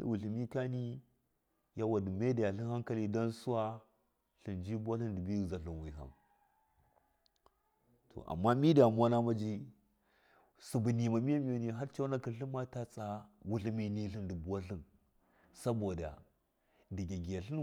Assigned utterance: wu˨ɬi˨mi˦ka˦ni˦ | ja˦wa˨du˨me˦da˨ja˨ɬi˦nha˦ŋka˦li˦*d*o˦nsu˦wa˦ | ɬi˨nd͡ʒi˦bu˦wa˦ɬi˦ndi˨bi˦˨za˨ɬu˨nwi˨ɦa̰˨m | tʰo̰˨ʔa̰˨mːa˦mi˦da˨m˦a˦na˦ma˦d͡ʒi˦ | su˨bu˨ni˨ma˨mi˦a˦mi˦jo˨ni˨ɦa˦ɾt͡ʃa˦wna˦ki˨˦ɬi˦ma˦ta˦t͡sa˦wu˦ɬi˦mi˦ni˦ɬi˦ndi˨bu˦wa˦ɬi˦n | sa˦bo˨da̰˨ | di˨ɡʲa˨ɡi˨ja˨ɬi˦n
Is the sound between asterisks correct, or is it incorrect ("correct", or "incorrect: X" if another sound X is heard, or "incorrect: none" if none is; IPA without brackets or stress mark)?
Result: correct